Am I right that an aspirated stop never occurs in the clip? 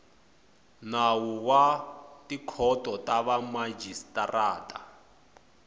no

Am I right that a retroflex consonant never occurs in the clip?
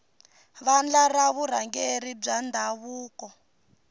no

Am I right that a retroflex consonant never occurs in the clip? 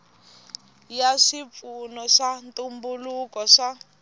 no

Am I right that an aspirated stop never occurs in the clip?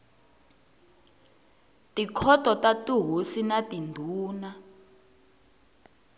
no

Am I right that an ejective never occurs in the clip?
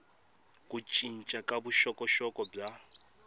no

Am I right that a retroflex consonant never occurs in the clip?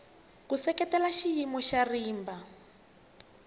yes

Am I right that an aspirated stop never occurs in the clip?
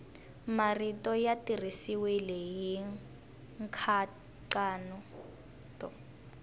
no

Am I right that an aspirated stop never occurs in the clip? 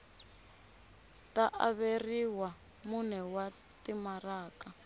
yes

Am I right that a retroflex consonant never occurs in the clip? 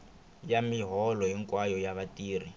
yes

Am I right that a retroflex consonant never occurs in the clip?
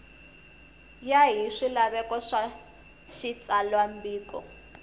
no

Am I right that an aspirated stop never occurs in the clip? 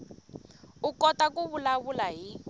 yes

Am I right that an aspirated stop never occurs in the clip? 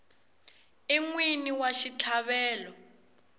no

